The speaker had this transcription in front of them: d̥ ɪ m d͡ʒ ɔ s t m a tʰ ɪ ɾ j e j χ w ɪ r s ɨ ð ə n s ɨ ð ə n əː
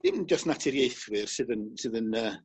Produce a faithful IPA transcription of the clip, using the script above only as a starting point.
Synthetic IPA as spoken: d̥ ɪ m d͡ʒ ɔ s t n a tʰ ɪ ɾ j e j θ w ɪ r s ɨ ð ə n s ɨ ð ə n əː